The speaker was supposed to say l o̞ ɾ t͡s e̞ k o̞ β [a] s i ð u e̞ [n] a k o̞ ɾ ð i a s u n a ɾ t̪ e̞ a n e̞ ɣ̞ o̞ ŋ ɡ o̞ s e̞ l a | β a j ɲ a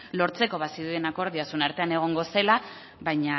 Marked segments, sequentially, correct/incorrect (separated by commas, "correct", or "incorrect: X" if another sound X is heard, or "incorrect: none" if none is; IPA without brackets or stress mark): correct, correct